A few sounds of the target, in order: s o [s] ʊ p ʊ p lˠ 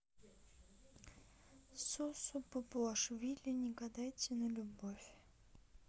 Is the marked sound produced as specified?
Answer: yes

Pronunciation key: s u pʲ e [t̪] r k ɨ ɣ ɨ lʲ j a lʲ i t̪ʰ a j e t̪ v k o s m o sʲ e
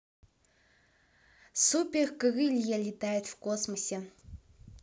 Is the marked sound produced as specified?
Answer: no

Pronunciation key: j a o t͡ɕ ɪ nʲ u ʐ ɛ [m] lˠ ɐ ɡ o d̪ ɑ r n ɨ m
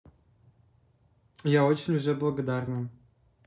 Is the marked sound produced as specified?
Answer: no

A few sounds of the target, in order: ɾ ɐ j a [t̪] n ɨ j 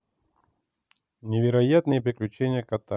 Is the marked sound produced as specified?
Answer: yes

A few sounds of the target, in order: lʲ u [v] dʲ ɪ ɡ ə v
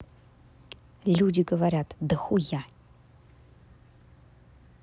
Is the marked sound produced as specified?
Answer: no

